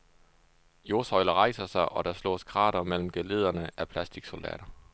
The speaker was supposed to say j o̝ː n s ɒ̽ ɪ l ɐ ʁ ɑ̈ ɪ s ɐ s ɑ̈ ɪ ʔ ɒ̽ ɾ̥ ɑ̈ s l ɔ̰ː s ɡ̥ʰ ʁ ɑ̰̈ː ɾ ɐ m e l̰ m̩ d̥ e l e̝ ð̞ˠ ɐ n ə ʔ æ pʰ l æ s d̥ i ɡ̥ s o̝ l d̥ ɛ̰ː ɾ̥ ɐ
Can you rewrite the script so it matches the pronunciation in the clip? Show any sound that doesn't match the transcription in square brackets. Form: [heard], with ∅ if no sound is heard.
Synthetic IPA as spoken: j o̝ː [∅] s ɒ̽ ɪ l ɐ ʁ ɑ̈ ɪ s ɐ s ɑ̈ ɪ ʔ ɒ̽ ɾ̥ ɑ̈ s l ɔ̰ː s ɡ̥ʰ ʁ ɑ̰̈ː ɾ ɐ m e l̰ m̩ [ɡ̥] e l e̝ ð̞ˠ ɐ n ə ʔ æ pʰ l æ s d̥ i ɡ̥ s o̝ l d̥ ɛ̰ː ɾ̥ ɐ